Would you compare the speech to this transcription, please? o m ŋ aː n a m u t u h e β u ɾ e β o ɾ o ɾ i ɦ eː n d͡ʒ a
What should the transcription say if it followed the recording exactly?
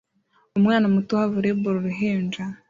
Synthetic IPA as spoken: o m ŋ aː n a m u t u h a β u ɾ e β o ɾ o ɾ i ɦ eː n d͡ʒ a